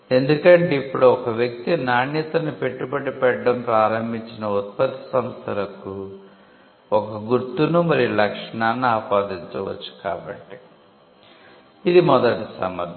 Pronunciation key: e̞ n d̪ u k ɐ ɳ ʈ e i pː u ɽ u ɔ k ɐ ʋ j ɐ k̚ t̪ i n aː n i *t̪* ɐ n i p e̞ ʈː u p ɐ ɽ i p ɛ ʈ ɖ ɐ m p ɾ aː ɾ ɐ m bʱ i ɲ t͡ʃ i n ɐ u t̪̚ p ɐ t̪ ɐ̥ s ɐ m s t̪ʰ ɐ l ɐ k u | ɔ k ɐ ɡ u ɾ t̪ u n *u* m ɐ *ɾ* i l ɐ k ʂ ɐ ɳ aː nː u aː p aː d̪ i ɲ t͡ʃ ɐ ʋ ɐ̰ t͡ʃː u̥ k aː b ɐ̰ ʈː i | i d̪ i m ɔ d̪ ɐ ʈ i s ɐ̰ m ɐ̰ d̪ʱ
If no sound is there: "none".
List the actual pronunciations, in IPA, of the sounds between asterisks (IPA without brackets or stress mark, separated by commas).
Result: t̪, u, ɾ